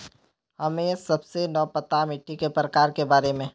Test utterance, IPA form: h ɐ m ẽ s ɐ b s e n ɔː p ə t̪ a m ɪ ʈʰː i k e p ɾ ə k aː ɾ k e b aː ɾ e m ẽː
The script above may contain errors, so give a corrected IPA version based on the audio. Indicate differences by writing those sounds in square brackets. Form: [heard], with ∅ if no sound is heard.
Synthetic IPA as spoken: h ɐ m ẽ s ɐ b s e n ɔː p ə t̪ a m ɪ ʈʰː i k e p ɾ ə k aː ɾ k e b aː ɾ e m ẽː